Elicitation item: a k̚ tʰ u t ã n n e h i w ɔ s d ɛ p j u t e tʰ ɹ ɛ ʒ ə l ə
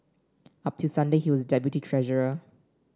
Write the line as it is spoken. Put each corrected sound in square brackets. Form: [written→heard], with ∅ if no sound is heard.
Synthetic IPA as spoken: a [k̚→p̚] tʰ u [t→s] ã n [n→d] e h i w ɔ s d ɛ p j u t [e→i] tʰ ɹ ɛ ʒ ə [l→ɹ] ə